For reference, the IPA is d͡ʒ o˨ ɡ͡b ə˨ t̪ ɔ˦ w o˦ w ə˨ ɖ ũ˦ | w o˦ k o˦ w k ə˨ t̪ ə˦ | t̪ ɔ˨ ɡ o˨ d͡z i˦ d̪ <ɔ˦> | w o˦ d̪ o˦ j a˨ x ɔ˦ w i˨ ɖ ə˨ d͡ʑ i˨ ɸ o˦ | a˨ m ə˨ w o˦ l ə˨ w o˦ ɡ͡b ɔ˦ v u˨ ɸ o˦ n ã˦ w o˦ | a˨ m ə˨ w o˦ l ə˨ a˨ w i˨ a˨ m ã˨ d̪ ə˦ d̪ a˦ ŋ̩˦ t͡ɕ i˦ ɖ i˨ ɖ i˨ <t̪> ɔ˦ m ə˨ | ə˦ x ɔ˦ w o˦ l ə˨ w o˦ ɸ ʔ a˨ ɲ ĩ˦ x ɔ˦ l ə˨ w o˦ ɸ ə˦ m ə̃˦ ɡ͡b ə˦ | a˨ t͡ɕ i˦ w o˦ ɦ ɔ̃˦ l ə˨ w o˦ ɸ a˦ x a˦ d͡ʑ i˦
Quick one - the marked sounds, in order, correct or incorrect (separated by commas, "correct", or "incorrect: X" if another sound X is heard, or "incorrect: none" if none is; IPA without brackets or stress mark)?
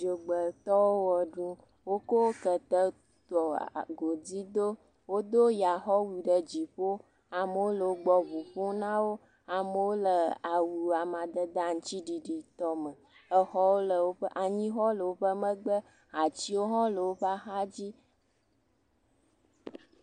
incorrect: o˦, correct